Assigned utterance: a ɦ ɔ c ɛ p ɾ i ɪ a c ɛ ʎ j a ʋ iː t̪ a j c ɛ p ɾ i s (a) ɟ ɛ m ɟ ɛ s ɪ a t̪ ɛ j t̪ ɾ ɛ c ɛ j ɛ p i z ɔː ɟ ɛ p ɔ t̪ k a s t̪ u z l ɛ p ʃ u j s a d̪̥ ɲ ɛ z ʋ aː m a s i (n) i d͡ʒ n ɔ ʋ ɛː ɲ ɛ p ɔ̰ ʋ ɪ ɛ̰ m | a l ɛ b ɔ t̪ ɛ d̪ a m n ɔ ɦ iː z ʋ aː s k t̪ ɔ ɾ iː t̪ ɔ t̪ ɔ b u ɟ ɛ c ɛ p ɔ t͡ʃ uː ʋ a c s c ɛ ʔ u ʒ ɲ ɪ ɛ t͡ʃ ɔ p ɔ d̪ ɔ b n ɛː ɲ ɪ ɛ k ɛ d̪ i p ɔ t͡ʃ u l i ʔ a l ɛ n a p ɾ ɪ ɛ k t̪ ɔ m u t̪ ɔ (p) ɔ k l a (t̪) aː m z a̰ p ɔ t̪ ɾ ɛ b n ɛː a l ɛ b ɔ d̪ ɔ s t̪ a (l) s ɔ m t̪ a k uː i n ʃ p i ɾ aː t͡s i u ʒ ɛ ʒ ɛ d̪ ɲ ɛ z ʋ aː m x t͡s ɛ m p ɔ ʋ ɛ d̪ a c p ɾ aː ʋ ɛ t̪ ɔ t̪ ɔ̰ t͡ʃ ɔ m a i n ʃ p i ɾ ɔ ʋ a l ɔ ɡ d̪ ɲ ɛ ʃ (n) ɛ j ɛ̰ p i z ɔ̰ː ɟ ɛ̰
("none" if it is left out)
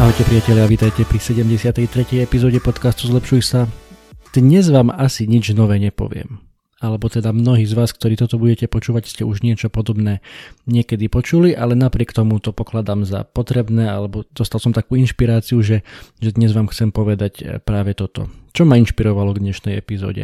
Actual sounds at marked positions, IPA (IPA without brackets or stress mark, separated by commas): ɛ, ɲ, p, d̪, l, n